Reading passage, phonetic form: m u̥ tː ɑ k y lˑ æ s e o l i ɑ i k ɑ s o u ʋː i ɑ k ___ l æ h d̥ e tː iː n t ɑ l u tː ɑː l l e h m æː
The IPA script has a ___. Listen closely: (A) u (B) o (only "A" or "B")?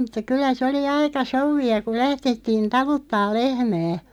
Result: A